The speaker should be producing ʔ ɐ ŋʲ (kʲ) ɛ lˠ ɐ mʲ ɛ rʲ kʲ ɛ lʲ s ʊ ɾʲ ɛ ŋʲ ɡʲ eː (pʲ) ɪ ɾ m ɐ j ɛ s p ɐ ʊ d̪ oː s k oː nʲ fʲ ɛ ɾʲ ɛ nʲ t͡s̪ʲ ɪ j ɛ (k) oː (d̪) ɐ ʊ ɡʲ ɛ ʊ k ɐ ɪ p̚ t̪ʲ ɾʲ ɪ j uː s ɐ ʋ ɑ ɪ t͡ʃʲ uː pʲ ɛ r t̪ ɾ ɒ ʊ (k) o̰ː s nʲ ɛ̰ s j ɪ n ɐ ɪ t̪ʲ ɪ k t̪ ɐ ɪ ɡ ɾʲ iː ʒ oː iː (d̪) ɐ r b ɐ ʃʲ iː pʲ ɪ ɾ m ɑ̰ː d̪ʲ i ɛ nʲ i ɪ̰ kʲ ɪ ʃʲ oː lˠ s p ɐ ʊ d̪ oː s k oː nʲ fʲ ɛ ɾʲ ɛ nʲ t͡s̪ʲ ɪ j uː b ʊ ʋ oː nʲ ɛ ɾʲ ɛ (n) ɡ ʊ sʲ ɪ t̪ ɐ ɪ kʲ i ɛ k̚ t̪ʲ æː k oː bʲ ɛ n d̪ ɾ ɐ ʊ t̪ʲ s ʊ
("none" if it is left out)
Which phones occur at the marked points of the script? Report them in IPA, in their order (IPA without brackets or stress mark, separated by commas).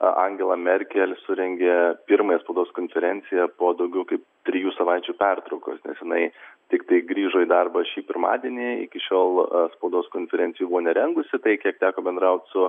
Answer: ɡʲ, pʲ, p, d̪, k, d̪, ŋ